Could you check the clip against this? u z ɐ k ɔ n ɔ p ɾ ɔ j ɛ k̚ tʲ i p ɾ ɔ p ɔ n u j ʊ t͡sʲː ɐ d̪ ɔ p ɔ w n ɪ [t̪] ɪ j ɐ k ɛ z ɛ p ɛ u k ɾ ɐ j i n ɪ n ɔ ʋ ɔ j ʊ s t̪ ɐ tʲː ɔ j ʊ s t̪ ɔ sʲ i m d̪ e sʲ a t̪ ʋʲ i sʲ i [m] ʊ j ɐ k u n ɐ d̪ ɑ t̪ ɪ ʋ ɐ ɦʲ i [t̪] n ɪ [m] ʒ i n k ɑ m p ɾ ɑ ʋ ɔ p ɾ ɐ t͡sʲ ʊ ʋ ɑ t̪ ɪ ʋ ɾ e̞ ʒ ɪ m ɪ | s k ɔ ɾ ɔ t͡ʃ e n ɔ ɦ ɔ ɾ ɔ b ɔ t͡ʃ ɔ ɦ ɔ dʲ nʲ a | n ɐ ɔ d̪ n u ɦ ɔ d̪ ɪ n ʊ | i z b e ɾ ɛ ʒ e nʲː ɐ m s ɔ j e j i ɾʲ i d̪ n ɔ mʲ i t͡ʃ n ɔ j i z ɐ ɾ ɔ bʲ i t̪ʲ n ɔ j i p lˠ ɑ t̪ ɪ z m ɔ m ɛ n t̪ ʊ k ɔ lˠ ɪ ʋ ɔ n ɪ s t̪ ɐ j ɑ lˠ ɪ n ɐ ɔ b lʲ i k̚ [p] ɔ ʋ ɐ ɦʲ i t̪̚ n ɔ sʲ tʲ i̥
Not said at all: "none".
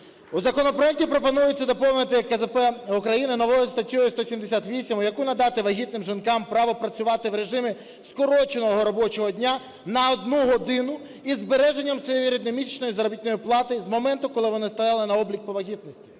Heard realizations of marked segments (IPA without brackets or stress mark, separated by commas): t̪, m, t̪, m, p